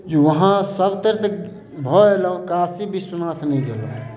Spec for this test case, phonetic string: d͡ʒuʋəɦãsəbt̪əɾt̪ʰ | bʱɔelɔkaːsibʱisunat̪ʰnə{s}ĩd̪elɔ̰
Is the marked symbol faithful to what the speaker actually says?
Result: no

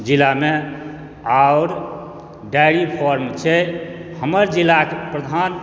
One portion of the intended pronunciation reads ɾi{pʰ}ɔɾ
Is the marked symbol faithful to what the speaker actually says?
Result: yes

